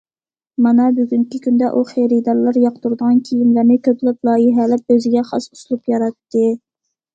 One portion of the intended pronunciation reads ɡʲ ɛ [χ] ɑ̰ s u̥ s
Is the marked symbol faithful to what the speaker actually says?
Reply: yes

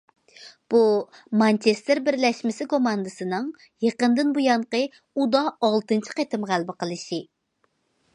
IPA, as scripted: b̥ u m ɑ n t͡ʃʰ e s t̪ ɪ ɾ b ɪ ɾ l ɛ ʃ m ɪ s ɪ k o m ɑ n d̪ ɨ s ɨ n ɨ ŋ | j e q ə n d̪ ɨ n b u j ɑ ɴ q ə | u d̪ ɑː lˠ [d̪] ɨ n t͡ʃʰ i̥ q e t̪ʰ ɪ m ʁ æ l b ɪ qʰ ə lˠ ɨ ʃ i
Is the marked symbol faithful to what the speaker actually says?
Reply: no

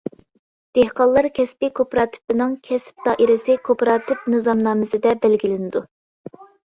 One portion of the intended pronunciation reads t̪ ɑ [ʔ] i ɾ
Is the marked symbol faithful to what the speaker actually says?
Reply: yes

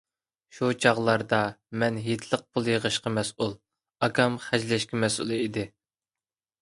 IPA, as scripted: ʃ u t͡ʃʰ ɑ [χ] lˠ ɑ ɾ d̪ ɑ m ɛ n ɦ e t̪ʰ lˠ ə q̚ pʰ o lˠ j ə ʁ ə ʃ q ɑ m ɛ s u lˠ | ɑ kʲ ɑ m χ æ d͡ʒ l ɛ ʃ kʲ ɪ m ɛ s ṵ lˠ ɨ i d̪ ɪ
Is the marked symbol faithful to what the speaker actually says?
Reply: no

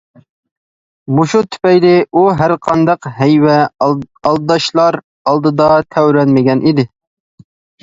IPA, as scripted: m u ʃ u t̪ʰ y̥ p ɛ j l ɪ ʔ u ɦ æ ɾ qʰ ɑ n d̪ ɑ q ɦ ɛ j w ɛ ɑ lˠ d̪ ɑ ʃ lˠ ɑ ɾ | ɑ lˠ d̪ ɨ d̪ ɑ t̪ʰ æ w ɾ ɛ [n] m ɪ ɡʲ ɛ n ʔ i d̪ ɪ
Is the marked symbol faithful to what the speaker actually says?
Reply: yes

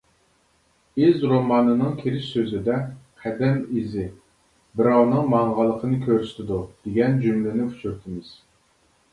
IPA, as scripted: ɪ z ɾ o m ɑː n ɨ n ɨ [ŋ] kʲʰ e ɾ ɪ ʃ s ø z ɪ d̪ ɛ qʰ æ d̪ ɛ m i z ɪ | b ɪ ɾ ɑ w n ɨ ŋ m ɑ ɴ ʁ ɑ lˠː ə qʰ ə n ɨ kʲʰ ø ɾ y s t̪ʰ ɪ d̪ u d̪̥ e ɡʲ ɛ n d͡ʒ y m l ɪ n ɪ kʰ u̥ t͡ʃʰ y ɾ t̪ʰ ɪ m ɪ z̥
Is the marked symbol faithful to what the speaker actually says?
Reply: yes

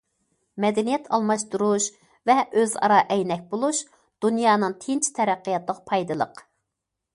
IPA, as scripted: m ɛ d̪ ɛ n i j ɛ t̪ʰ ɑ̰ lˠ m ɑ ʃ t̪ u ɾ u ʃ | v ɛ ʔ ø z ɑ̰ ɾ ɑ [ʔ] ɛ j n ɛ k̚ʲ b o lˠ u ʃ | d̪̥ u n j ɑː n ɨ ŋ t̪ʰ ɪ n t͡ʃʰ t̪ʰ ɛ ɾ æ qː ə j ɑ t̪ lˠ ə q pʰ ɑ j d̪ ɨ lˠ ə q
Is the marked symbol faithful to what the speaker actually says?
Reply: yes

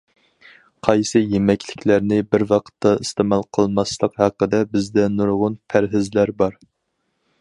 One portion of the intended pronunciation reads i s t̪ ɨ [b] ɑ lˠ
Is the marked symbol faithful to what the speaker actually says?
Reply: no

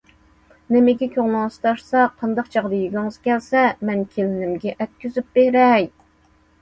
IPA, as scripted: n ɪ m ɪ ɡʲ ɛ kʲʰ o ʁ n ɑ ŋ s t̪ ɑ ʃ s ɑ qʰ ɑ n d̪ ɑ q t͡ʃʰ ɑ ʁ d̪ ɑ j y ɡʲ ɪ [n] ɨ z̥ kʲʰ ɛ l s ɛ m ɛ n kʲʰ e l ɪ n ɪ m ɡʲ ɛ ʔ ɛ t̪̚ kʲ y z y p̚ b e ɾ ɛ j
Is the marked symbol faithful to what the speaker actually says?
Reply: no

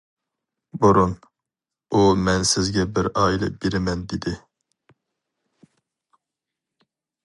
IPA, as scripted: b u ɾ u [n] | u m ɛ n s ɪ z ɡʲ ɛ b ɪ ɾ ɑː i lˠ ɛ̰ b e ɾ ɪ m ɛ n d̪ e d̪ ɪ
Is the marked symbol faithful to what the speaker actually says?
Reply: yes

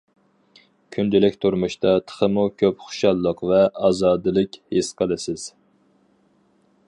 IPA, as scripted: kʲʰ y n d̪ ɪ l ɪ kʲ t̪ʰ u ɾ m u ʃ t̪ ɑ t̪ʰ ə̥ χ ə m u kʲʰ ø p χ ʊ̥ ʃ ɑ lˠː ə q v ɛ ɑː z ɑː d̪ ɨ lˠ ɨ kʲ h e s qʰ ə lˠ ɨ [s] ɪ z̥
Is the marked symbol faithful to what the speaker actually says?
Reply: yes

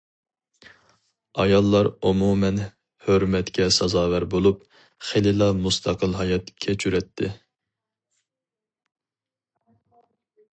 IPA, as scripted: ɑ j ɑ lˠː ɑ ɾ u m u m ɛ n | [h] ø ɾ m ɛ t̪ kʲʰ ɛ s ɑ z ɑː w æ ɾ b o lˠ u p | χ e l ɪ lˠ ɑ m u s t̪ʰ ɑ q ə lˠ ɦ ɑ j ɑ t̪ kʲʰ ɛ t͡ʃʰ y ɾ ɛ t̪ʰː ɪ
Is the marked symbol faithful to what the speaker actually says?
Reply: yes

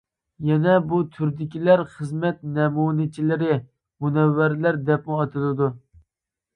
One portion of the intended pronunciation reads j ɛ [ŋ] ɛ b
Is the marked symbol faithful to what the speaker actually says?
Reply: no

